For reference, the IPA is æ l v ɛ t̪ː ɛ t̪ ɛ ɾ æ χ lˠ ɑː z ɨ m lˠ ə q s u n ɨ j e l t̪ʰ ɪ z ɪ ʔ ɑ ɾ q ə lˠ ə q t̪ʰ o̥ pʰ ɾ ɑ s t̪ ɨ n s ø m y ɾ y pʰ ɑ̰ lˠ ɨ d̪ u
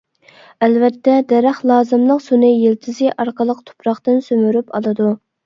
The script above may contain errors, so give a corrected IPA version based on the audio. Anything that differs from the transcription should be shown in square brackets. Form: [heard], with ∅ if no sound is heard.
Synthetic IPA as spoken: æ l v ɛ t̪ː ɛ [d̪] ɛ ɾ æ χ lˠ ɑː z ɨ m lˠ ə q s u n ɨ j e l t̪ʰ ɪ z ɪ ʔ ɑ ɾ q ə lˠ ə q t̪ʰ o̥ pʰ ɾ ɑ [χ] t̪ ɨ n s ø m y ɾ y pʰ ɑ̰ lˠ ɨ d̪ u